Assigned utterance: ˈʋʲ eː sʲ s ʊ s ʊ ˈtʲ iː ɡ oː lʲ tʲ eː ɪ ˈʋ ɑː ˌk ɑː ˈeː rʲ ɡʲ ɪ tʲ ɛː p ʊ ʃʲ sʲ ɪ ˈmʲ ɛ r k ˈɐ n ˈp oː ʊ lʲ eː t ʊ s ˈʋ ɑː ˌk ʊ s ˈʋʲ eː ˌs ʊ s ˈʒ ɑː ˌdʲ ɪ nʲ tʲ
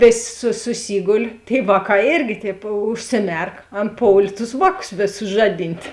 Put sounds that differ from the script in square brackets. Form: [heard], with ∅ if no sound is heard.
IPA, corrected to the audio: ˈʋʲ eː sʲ s ʊ s ʊ [ˈsʲ] iː ɡ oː lʲ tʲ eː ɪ ˈʋ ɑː ˌk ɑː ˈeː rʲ ɡʲ ɪ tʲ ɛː p ʊ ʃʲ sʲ ɪ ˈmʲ ɛ r k ˈɐ n ˈp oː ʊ lʲ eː t ʊ s ˈʋ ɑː ˌk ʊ s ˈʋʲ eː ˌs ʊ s ˈʒ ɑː ˌdʲ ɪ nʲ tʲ